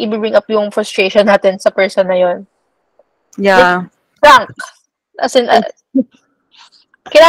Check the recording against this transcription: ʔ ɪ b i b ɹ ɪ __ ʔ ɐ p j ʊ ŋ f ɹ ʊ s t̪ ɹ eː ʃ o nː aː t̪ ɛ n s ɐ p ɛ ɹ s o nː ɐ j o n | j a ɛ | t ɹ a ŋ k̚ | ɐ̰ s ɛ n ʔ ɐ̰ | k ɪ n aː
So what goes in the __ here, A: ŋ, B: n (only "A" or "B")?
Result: A